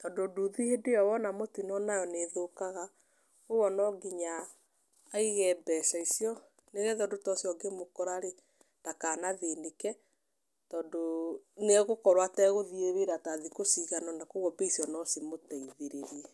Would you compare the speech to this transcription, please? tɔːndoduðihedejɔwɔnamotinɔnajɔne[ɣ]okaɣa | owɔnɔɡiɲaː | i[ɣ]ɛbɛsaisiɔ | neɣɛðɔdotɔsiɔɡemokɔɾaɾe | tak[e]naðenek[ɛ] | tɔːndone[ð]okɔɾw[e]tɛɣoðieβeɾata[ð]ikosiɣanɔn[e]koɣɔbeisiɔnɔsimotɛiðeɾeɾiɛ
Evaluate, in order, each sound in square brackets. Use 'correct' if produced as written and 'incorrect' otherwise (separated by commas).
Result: incorrect, correct, incorrect, correct, incorrect, incorrect, correct, incorrect